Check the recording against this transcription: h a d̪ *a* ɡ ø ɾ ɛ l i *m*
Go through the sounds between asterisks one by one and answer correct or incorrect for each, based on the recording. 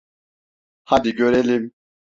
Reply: incorrect, correct

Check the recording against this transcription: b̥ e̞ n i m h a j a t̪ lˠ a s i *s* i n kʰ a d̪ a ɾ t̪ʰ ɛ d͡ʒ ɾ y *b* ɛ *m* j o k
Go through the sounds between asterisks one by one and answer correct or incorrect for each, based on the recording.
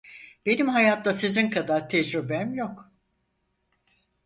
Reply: incorrect, correct, correct

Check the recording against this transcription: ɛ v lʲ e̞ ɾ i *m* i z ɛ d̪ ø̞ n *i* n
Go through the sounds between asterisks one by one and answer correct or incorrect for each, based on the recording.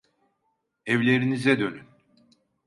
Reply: incorrect, incorrect

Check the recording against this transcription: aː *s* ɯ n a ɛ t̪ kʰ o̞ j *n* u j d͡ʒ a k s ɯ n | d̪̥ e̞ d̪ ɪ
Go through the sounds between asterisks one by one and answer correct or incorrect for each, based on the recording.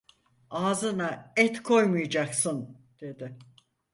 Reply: incorrect, incorrect

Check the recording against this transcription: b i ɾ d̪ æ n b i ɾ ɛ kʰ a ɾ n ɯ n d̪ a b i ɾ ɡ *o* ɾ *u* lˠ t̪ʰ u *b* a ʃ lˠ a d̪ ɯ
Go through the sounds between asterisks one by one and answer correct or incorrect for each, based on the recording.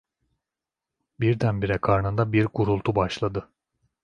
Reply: incorrect, correct, correct

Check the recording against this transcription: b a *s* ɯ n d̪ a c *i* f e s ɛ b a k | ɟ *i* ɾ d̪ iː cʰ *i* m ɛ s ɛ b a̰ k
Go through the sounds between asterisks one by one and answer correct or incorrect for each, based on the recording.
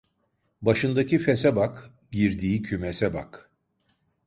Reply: incorrect, correct, correct, incorrect

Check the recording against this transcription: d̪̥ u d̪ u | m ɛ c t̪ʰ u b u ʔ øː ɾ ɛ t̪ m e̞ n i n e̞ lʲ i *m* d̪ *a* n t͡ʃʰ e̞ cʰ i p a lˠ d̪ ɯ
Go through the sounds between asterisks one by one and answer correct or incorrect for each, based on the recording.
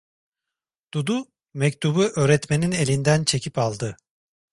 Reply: incorrect, incorrect

